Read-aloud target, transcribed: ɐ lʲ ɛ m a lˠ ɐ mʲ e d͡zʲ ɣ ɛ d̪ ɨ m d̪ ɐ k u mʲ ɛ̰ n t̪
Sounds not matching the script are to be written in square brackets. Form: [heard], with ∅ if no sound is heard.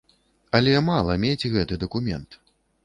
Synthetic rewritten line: ɐ lʲ ɛ m a lˠ ɐ mʲ e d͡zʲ ɣ ɛ [t̪] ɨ [∅] d̪ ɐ k u mʲ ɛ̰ n t̪